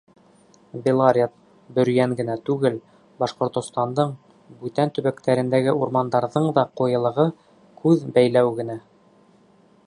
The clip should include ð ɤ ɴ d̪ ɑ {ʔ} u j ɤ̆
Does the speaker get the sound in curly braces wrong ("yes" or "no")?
yes